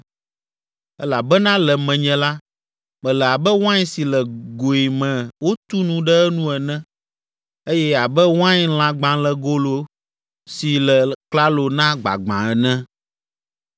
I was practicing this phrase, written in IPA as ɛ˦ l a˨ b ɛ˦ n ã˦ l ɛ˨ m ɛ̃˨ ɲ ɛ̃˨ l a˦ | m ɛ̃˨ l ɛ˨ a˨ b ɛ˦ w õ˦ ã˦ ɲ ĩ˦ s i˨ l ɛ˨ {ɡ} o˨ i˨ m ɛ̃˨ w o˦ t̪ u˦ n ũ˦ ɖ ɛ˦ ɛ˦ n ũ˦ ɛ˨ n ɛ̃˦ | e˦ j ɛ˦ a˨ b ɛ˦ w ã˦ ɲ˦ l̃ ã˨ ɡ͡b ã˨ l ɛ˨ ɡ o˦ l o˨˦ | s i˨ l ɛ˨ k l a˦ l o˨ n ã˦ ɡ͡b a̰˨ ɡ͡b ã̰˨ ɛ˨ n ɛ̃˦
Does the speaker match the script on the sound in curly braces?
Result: yes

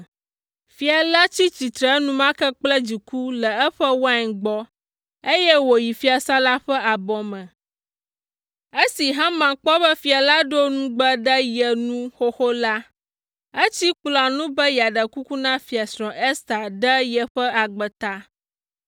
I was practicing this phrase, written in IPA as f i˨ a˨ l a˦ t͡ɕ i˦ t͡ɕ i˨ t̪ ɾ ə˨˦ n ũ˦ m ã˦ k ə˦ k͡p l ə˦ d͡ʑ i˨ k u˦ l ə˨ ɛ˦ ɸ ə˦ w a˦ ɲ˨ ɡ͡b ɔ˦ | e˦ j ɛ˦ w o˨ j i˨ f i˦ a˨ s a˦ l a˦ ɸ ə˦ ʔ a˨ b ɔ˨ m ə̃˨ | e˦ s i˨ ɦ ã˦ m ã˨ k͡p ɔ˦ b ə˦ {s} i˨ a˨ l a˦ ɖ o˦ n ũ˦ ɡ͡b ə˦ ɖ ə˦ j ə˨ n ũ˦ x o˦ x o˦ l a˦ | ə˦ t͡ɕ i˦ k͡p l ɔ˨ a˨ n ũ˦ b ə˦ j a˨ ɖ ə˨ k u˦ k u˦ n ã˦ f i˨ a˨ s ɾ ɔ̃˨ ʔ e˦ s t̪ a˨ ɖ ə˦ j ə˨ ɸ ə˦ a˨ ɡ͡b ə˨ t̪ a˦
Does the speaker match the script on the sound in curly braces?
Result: no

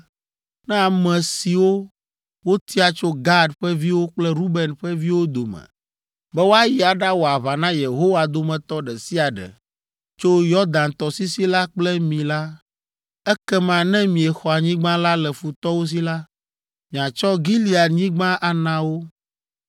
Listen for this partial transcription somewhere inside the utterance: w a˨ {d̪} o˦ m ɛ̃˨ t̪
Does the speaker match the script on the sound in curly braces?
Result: yes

